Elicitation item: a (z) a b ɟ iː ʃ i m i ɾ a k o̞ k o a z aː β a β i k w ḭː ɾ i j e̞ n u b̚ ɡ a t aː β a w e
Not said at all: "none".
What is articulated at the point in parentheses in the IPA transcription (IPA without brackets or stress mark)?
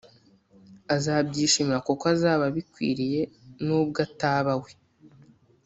z